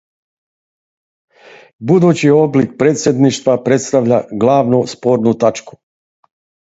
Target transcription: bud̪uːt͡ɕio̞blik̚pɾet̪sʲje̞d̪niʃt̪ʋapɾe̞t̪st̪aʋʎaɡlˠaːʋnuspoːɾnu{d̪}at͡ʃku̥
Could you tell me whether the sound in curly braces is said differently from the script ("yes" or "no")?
yes